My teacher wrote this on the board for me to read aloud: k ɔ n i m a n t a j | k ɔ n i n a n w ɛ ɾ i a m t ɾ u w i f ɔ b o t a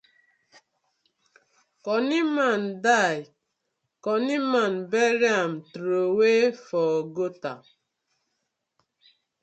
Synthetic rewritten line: k ɔ n i m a n d a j | k ɔ n i m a n b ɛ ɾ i a m t ɾ o w e f ɔ ɡ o t a